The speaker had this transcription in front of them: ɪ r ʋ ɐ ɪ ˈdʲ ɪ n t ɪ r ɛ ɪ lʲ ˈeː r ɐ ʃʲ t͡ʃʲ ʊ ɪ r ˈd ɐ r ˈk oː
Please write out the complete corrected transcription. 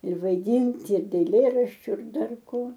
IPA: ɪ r ʋ ɐ ɪ ˈdʲ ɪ n t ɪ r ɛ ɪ lʲ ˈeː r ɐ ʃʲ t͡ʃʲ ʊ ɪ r ˈd ɐ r ˈk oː